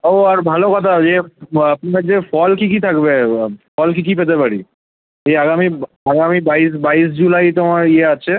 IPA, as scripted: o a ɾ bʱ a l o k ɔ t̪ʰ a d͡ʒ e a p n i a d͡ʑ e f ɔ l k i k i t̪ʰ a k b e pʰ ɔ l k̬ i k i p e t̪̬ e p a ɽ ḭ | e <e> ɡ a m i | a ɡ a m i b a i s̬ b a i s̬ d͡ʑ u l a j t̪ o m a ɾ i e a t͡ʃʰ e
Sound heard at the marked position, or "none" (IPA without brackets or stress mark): a